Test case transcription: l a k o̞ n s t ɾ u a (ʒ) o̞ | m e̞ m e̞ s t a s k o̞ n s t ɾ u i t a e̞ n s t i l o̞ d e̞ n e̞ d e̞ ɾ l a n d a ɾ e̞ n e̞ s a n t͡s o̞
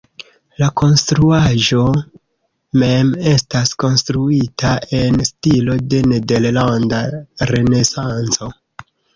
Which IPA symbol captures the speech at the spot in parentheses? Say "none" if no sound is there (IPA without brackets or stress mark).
ʒ